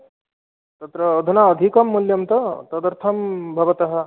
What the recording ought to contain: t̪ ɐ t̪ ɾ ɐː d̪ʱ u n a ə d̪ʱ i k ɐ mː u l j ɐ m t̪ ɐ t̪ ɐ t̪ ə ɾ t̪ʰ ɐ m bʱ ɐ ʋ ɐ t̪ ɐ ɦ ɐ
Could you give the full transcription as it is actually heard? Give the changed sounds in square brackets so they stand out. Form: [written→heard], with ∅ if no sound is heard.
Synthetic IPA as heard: t̪ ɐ t̪ ɾ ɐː d̪ʱ u n a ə d̪ʱ i k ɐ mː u l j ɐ m t̪ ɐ t̪ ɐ [t̪→d̪] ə ɾ t̪ʰ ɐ m bʱ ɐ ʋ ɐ t̪ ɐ ɦ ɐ